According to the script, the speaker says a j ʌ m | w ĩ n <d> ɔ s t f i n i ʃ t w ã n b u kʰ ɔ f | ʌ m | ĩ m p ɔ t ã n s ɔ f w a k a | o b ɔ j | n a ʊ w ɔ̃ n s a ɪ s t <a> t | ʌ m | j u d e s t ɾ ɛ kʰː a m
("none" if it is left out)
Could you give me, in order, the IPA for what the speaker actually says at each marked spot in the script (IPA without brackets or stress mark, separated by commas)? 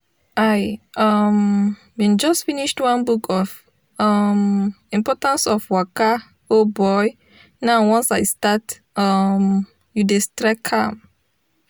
d͡ʒ, a